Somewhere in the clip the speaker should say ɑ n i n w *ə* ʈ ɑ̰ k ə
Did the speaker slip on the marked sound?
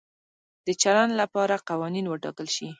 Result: no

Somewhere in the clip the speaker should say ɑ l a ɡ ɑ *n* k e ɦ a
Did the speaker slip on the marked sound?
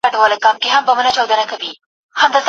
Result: yes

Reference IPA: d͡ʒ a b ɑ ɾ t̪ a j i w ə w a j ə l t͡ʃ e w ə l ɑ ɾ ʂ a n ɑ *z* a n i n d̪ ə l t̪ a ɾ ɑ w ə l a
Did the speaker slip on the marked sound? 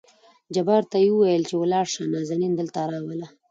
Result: no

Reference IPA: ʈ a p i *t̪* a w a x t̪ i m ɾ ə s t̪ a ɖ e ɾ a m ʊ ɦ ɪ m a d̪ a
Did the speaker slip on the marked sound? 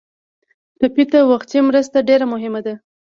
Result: no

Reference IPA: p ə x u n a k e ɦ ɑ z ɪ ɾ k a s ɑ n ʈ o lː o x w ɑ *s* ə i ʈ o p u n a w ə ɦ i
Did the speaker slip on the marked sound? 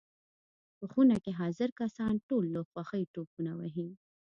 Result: yes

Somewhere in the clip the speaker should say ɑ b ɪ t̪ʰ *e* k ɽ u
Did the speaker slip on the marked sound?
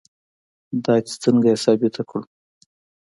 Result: yes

